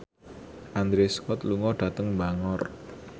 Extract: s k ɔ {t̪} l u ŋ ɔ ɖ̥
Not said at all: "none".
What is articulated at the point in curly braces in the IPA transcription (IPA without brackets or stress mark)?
t̪